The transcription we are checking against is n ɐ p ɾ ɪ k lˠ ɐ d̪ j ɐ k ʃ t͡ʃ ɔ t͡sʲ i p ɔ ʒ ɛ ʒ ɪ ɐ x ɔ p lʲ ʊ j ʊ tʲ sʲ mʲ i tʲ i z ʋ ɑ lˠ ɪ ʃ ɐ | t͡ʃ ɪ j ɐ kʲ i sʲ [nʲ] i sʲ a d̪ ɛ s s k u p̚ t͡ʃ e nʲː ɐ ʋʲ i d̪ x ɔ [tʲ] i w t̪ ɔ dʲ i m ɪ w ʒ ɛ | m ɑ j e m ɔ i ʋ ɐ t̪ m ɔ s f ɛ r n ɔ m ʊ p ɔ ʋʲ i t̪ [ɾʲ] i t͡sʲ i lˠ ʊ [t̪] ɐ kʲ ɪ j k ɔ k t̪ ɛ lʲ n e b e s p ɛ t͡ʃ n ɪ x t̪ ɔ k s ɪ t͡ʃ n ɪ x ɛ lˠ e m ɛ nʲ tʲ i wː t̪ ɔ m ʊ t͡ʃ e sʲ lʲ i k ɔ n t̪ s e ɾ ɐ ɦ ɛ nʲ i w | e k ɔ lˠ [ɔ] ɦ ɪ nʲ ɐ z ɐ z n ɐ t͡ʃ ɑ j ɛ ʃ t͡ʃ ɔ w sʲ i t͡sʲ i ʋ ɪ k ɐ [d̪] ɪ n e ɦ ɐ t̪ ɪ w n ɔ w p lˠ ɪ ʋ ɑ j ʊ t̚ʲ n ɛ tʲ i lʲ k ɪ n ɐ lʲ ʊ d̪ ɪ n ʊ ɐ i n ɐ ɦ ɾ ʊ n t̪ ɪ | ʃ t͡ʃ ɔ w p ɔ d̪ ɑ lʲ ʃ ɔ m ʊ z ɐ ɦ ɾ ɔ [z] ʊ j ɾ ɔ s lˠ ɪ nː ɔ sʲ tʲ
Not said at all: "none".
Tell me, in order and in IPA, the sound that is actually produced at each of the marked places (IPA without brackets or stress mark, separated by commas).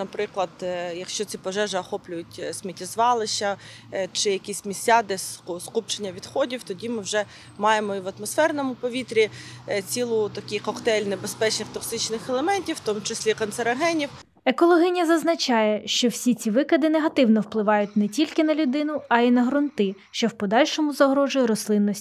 mʲ, dʲ, ɾʲ, t̪, ɔ, d̪, ʒ